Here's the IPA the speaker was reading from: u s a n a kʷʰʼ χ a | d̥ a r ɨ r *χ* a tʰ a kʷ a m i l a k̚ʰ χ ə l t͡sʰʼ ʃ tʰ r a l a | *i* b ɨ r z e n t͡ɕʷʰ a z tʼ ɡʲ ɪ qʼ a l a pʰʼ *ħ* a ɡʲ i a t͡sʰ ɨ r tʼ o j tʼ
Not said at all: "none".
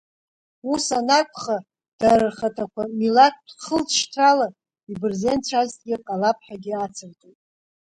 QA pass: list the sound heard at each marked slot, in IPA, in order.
χ, i, ħ

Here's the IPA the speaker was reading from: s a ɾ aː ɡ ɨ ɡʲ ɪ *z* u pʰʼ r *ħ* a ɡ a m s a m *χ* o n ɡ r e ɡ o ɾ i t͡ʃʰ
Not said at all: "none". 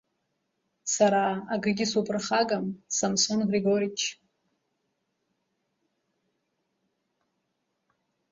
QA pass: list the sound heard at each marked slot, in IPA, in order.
s, χ, s

